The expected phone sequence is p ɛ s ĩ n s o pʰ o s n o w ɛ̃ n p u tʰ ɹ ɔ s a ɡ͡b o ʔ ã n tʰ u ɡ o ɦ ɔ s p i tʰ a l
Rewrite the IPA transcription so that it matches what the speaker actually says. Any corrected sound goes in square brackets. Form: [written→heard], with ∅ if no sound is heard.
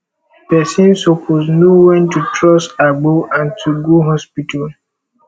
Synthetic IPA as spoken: p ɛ s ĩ n s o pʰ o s n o w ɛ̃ n [p→t] u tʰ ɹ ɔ s a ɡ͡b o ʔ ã n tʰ u ɡ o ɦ ɔ s p i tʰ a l